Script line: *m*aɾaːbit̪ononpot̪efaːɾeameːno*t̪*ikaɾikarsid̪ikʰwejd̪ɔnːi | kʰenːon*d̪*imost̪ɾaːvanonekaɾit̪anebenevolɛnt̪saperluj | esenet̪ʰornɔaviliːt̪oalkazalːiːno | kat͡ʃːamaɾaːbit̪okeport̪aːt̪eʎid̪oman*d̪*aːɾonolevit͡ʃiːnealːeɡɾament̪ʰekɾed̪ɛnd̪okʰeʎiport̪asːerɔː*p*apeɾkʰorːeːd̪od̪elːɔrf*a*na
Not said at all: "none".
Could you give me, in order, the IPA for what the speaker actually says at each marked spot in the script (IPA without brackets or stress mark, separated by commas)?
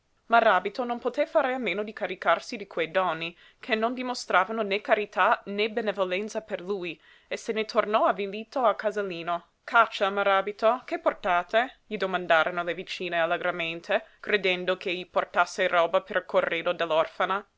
m, d̪, d̪, d̪, b, a